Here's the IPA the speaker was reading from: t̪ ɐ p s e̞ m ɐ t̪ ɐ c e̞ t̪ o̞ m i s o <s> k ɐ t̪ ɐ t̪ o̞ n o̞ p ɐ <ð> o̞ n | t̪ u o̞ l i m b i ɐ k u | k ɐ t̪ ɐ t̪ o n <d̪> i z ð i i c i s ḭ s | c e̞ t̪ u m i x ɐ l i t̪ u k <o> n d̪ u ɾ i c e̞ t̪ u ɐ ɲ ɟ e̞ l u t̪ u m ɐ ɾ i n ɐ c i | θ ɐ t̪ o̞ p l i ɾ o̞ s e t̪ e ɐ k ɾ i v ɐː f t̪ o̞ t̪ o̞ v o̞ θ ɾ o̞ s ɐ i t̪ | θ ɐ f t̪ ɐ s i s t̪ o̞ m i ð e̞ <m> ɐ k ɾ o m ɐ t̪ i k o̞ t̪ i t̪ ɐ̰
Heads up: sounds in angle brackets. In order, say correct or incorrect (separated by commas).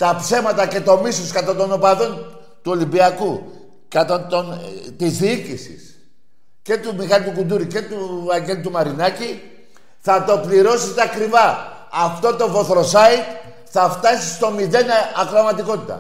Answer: correct, correct, incorrect, incorrect, incorrect